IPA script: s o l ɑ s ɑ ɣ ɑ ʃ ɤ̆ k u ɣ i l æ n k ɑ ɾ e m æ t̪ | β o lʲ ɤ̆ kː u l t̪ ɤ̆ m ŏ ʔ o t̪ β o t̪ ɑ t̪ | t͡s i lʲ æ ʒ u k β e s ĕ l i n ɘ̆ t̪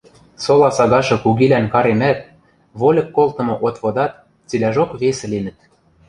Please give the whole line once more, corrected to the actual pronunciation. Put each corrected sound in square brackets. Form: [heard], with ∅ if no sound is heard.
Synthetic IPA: s o l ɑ s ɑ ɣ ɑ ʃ ɤ̆ k u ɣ i l æ n k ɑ ɾ e m æ t̪ | β o lʲ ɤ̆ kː [o] l t̪ ɤ̆ m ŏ ʔ o t̪ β o [d̪] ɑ t̪ | t͡s i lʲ æ ʒ [o] k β e s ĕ l i n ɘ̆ t̪